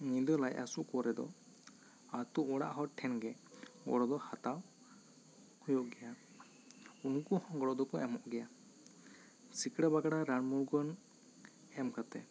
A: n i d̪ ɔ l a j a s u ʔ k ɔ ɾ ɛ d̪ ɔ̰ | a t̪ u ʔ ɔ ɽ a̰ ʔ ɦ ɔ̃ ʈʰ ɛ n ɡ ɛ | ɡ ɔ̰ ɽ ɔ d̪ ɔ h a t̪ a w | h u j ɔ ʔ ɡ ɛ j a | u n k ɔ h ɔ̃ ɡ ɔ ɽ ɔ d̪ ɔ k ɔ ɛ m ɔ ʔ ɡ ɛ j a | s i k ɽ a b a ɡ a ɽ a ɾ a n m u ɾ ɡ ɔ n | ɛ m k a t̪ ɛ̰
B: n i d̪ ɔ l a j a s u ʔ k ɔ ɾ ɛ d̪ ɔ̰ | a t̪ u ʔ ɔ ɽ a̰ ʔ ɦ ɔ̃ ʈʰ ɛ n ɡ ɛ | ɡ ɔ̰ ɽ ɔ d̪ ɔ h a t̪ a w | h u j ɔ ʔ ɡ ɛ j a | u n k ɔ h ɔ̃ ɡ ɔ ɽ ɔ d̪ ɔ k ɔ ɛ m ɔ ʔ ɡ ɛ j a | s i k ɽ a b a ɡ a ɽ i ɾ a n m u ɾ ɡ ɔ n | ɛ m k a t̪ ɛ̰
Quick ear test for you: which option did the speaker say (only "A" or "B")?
A